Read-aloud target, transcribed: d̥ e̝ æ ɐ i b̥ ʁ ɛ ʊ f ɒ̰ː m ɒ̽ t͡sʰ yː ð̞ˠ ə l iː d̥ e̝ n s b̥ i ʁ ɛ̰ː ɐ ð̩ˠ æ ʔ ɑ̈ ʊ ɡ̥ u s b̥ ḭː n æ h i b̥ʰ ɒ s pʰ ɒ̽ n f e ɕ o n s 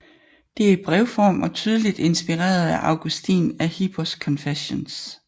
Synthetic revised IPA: d̥ e̝ æ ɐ i b̥ ʁ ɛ ʊ f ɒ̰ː m ɒ̽ t͡sʰ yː ð̞ˠ ə l i d̥ e̝ n s b̥ i ʁ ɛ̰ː ɐ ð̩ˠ æ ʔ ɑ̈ ʊ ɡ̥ u s d̥ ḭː n æ h i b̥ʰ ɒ s kʰ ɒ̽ n f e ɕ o n s